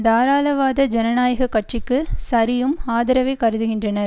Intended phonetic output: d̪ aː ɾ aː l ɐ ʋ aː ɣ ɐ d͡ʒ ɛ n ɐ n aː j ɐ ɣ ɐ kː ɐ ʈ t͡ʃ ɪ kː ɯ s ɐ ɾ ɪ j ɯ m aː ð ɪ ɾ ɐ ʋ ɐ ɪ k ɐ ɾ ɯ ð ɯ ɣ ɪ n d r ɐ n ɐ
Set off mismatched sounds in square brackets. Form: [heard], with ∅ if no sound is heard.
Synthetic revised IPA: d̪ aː ɾ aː l ɐ ʋ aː [ð] ɐ d͡ʒ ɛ n ɐ n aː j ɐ ɣ ɐ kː ɐ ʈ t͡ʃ ɪ kː ɯ s ɐ ɾ ɪ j ɯ m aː ð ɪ ɾ ɐ ʋ ɐ ɪ k ɐ ɾ ɯ ð ɯ ɣ ɪ n d r ɐ n ɐ